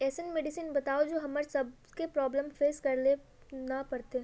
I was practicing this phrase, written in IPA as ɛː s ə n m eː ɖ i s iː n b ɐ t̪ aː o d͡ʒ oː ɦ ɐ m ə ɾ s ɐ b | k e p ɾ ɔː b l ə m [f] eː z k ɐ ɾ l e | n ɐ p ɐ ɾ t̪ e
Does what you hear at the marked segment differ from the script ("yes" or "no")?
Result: no